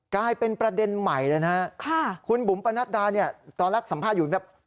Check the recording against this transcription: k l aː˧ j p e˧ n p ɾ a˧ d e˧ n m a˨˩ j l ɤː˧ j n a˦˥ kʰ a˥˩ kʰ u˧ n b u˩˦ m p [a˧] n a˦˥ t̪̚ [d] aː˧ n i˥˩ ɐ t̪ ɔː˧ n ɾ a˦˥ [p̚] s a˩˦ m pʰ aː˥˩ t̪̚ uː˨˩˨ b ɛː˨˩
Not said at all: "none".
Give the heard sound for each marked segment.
a˧, d, k̚

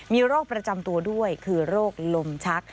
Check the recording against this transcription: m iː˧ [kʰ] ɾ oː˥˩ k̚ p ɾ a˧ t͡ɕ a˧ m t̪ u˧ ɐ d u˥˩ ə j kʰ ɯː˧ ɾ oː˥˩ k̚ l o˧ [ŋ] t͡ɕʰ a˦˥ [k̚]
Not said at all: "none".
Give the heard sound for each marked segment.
none, m, k̚

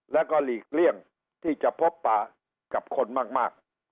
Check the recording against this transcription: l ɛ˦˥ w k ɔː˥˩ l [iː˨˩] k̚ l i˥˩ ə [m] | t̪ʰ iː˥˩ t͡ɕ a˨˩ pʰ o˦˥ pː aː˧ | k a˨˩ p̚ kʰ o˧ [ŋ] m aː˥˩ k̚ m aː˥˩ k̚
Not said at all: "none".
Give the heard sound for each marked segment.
iː˨˩, ŋ, n

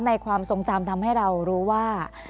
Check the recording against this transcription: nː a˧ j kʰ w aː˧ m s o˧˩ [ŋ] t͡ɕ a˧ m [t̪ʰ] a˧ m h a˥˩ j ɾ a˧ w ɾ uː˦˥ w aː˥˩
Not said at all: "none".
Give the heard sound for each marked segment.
ŋ, t̪ʰ

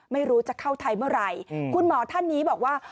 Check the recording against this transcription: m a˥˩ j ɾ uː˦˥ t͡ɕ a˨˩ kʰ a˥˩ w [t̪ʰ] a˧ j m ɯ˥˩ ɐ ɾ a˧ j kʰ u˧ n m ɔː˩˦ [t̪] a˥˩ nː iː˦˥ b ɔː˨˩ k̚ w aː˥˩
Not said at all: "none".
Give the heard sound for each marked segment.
t̪ʰ, t̪ʰ

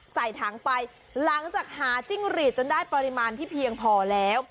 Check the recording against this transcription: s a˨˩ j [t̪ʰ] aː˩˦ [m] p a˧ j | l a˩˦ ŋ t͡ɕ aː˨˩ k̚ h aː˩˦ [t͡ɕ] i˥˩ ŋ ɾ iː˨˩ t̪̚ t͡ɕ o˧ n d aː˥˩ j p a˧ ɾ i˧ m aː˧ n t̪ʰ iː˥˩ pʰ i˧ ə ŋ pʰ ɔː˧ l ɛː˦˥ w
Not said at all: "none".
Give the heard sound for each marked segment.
t̪ʰ, ŋ, t͡ɕ

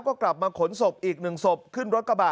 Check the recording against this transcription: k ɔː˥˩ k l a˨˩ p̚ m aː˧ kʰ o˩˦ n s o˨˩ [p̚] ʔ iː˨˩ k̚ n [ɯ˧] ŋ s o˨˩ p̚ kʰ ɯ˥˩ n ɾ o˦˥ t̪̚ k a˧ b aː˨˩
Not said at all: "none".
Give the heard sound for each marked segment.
p̚, ɯ˨˩

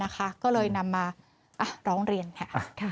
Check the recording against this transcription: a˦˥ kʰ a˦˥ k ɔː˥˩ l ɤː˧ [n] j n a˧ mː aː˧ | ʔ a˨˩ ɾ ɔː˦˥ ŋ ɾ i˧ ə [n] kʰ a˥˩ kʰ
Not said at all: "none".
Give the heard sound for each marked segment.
none, n

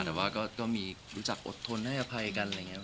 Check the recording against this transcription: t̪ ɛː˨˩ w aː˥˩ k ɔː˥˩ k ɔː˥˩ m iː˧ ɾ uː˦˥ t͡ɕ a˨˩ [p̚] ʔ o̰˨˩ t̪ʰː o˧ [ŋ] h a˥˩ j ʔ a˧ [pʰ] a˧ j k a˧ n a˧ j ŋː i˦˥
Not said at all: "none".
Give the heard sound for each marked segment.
k̚, n, pʰ

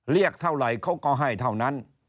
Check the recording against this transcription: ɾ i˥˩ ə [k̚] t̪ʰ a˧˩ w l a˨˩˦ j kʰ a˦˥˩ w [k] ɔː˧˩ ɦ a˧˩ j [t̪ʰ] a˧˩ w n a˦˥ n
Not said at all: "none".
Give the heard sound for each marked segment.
k̚, k, t̪ʰ

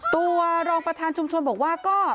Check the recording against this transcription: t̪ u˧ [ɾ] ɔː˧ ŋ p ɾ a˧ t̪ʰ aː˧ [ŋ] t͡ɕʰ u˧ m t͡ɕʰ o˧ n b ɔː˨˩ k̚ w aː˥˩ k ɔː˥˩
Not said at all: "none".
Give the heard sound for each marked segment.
ɾ, n

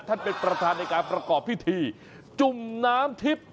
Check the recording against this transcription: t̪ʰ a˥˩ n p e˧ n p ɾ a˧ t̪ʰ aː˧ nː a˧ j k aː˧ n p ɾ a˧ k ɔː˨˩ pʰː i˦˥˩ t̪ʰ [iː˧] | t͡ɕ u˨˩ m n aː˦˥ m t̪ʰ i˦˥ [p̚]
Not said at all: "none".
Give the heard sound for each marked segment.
iː˧, p̚

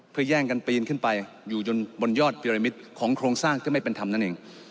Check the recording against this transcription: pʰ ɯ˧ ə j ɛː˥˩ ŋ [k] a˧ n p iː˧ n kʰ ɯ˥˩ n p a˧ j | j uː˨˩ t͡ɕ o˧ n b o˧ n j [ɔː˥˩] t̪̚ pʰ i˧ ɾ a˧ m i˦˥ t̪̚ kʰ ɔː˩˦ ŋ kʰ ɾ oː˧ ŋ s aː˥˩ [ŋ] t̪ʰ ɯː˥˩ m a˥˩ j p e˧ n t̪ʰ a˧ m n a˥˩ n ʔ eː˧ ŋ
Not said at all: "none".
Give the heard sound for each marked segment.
k, ɔː˥˩, ŋ

